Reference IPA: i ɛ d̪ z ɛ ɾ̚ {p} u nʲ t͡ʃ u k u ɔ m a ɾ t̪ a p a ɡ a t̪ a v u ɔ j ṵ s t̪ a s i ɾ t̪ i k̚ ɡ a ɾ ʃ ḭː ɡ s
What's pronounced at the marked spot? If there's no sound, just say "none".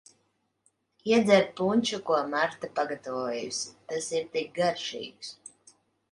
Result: p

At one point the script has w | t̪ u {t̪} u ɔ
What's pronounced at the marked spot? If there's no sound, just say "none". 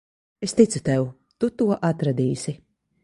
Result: t̪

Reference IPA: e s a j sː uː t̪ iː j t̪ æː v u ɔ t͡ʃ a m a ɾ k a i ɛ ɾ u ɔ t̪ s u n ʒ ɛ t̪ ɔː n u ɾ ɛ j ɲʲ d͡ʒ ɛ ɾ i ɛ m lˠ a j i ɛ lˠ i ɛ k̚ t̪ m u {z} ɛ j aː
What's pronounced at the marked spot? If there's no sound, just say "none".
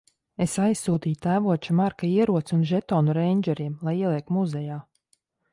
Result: z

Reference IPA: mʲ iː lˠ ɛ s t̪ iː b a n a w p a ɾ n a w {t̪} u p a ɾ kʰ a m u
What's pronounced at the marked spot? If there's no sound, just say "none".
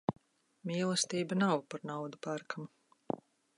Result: d̪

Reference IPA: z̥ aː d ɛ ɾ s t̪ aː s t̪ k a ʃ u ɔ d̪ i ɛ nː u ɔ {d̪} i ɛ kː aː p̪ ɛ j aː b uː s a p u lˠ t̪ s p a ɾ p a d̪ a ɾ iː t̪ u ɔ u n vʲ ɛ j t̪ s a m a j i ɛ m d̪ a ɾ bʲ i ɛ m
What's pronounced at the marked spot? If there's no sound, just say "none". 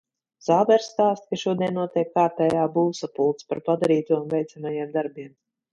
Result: t̪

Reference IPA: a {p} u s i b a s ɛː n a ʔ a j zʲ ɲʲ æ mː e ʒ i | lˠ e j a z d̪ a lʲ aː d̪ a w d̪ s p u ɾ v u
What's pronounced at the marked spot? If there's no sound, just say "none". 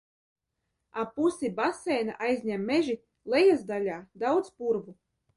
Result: p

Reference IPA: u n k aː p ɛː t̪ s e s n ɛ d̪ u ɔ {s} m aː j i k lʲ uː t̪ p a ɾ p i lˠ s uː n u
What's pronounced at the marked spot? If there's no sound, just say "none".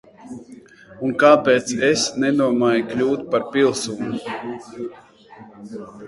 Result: none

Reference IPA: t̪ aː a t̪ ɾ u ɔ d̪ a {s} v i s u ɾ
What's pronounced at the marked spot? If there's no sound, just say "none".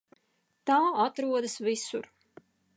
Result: s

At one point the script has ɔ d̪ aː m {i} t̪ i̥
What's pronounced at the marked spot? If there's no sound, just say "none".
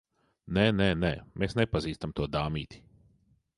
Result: iː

